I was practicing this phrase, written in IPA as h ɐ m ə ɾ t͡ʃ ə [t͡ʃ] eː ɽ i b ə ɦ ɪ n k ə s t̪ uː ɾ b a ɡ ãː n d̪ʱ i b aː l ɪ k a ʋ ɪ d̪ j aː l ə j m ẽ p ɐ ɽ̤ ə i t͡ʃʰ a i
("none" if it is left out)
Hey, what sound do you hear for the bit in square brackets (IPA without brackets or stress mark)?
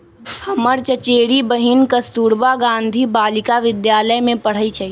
t͡ʃ